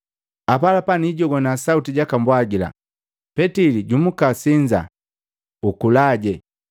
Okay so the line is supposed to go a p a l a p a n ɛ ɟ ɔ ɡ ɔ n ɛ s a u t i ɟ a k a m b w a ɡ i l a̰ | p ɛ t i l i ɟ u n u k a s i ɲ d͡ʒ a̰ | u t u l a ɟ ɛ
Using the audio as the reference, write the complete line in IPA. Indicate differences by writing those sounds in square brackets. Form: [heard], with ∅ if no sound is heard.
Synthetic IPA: a p a l a p a n [i] ɟ ɔ ɡ ɔ n [a] s a u t i ɟ a k a m b w a ɡ i l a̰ | p ɛ t i l i ɟ u [m] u k a s i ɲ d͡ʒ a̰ | u [k] u l a ɟ ɛ